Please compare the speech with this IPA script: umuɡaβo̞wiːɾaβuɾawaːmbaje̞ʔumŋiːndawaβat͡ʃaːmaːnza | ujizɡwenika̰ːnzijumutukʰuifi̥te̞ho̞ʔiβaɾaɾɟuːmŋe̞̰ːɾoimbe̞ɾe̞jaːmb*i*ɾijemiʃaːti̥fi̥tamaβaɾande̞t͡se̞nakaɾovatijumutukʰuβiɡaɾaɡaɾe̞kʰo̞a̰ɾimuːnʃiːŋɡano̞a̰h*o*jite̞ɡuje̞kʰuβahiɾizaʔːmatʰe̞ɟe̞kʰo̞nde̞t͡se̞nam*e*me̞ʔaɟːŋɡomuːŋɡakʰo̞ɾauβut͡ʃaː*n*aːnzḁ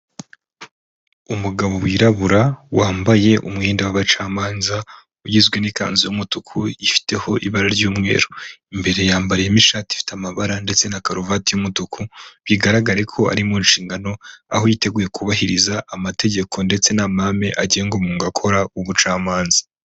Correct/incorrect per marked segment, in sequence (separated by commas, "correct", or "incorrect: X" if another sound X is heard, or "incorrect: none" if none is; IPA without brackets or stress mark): incorrect: a, correct, incorrect: a, incorrect: m